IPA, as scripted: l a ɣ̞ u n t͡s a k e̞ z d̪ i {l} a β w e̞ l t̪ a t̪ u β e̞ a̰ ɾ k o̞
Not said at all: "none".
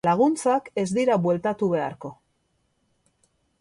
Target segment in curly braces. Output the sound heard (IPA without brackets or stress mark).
ɾ